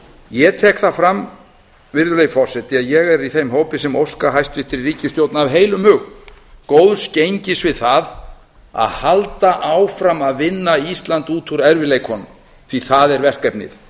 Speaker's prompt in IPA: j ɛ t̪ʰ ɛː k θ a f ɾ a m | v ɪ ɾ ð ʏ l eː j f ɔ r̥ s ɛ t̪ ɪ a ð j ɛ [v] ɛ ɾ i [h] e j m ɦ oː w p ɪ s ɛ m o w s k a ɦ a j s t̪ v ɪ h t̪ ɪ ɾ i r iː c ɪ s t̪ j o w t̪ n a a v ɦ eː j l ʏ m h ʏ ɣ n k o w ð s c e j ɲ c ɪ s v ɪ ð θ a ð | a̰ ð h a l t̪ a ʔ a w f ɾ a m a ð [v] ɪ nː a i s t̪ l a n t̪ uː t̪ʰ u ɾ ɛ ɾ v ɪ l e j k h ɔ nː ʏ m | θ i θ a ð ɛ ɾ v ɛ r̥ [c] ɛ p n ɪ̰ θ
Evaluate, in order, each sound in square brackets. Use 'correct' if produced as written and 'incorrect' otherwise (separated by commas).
incorrect, incorrect, correct, incorrect